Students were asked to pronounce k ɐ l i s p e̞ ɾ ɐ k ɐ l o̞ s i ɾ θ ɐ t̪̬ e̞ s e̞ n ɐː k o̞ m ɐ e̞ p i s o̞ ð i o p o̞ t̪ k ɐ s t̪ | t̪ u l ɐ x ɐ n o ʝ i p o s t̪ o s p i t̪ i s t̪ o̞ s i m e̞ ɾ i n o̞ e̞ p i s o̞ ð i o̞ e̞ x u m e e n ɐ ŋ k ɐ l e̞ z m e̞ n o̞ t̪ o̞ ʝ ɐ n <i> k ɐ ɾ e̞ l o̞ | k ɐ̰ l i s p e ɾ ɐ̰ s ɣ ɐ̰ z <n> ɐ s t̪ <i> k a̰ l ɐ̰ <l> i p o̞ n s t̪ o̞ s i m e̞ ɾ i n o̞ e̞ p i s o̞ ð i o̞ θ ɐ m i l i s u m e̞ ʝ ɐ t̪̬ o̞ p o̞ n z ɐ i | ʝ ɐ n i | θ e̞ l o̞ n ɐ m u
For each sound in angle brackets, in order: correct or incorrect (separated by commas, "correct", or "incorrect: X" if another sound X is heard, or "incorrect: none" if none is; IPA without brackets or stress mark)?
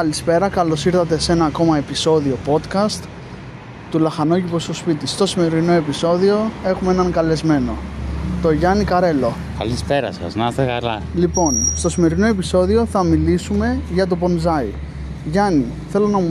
correct, correct, incorrect: e, correct